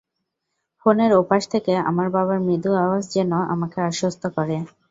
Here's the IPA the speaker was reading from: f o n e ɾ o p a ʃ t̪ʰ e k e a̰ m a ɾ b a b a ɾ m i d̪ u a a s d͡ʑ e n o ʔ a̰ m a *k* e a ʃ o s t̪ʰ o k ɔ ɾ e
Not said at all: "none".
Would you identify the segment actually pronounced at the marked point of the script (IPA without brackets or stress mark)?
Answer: k